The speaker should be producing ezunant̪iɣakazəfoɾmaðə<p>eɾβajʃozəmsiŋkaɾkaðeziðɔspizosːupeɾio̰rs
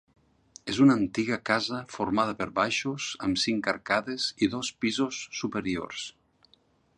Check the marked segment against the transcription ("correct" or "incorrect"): correct